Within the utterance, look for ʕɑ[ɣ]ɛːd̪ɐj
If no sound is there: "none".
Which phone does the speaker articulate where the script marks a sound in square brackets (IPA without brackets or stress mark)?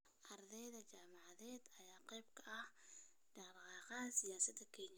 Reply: ð